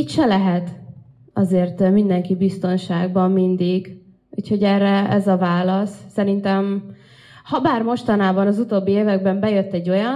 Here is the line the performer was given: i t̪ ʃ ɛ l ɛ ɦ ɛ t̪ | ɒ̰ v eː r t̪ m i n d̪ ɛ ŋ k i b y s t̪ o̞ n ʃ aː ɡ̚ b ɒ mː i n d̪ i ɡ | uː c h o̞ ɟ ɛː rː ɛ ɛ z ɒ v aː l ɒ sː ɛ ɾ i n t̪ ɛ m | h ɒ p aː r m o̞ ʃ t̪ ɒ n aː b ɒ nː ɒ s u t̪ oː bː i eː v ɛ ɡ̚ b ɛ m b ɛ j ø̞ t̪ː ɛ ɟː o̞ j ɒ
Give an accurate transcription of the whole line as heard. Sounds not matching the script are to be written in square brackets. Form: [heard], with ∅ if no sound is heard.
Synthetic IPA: i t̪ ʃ ɛ l ɛ ɦ ɛ t̪ | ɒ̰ [z] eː r t̪ m i n d̪ ɛ ŋ k i b [i] s t̪ o̞ n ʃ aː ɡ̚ b ɒ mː i n d̪ i ɡ | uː c h o̞ ɟ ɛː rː ɛ ɛ z ɒ v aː l ɒ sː ɛ ɾ i n t̪ ɛ m | h ɒ [b] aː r m o̞ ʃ t̪ ɒ n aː b ɒ [n] ɒ [z] u t̪ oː bː i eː v ɛ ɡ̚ b ɛ m b ɛ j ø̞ t̪ː ɛ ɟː o̞ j ɒ